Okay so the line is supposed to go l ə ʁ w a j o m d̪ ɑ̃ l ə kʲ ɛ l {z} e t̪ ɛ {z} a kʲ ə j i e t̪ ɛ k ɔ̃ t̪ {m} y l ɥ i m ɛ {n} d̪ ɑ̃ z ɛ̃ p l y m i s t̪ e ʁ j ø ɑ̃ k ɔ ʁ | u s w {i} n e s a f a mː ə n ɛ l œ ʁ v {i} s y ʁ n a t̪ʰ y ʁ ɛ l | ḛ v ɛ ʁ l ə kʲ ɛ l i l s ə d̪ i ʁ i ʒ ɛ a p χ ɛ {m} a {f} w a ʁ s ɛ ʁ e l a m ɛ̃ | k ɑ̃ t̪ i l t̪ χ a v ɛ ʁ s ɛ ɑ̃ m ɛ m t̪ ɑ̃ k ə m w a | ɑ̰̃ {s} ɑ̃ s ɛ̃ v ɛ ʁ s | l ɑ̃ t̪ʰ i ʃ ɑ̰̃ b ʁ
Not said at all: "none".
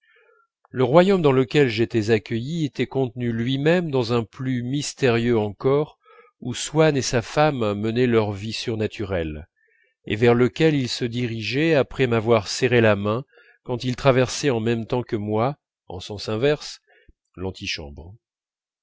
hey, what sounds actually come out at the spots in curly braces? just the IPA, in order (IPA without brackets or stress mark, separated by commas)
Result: ʒ, z, n, m, a, i, m, v, s